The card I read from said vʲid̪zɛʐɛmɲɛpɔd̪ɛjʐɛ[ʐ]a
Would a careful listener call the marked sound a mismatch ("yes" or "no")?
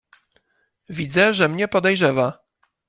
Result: yes